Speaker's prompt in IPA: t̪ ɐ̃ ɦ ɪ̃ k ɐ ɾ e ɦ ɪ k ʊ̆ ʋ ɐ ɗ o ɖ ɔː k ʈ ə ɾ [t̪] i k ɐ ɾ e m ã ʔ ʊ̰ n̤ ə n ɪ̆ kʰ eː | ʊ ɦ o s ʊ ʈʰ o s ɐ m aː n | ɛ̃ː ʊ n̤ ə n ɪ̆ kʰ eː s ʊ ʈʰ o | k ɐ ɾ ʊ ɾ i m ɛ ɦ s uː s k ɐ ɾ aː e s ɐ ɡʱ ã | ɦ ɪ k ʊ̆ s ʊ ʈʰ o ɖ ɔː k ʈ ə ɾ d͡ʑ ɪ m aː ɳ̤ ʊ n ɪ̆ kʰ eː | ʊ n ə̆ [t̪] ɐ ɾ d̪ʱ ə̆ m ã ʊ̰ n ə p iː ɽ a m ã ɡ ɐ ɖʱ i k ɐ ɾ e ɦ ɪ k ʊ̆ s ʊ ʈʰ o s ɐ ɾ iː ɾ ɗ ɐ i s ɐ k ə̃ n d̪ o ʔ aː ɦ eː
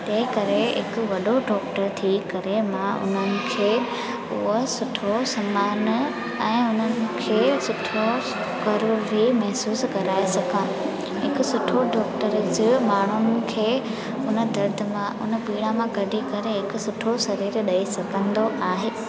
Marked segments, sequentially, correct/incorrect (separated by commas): incorrect, incorrect